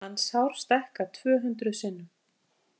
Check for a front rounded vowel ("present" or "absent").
present